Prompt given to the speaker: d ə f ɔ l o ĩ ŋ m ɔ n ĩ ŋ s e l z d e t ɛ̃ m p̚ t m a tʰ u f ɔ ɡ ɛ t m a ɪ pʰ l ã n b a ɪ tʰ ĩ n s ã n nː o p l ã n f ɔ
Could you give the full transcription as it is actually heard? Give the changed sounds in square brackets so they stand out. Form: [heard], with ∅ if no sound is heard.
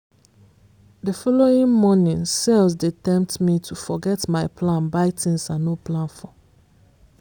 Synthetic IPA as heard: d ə f ɔ l o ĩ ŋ m ɔ n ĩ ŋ s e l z d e t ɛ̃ m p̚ t m [i] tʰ u f ɔ ɡ ɛ t m a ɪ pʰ l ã n b a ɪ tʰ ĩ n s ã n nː o p l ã n f ɔ